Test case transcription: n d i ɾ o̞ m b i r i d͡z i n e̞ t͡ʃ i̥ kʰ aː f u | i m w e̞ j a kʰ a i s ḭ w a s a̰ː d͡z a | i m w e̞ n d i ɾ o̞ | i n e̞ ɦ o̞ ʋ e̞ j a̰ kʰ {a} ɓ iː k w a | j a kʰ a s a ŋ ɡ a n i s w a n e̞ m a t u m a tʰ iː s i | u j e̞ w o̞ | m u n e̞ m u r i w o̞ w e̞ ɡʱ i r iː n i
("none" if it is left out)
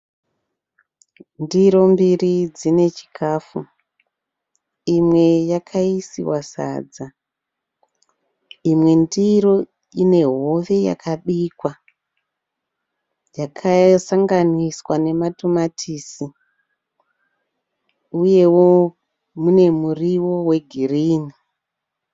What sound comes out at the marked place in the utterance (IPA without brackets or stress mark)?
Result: a